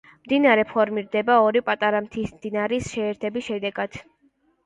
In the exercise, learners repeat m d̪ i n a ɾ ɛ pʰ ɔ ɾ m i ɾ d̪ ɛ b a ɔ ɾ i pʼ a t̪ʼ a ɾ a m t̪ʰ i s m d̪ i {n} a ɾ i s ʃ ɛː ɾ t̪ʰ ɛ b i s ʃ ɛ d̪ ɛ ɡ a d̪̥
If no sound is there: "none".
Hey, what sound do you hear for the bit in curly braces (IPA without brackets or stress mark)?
n